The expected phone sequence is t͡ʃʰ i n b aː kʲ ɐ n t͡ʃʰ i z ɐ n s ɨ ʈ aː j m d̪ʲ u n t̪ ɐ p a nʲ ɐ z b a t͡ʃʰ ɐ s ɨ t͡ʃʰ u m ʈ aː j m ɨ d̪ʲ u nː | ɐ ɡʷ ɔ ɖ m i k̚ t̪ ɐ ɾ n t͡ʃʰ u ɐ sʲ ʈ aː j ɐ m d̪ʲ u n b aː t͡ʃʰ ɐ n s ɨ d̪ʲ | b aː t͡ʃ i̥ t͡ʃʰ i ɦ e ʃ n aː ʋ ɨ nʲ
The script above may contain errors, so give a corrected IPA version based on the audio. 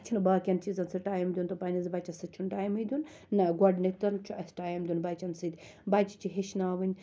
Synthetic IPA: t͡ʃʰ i n b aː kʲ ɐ n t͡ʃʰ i z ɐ n s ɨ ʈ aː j m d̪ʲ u n t̪ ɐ p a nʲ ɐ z b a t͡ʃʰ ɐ s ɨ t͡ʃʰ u n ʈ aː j m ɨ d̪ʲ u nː | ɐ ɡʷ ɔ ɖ n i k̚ t̪ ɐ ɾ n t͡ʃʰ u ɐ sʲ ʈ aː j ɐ m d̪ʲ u n b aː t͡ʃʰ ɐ n s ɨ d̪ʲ | b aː t͡ʃ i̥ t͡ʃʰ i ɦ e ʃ n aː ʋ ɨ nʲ